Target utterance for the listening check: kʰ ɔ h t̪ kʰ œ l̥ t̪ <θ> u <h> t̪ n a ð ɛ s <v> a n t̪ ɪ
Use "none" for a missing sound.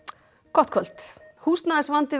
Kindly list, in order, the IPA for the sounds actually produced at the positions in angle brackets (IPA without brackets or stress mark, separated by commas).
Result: h, s, v